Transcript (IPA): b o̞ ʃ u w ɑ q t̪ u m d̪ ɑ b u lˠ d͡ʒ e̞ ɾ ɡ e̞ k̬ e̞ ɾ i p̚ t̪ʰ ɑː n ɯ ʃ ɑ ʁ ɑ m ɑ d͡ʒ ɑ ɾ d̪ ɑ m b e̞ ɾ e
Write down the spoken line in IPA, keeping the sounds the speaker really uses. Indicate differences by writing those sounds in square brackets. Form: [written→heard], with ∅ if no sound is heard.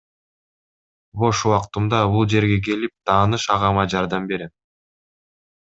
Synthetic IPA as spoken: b o̞ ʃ u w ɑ q t̪ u m d̪ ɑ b u lˠ d͡ʒ e̞ ɾ ɡ e̞ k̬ e̞ [ɾ→l] i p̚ t̪ʰ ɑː n ɯ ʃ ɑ ʁ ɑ m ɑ d͡ʒ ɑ ɾ d̪ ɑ m b e̞ ɾ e